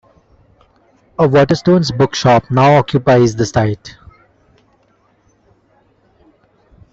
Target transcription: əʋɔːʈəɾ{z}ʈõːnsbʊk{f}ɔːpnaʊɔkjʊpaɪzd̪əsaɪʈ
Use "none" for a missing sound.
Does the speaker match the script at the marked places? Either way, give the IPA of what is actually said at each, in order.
s, ʃ

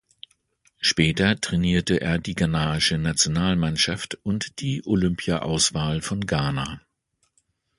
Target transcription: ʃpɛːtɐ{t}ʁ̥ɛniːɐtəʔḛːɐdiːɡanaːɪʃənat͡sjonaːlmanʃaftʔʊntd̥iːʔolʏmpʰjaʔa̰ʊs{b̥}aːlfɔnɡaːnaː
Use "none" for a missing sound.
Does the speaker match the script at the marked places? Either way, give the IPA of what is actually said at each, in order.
t, v̥

